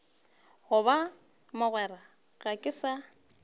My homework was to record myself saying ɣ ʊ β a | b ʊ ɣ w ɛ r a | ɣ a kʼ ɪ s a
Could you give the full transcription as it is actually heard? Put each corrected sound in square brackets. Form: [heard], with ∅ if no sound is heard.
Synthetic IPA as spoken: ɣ ʊ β a | [m] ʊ ɣ w ɛ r a | ɣ a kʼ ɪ s a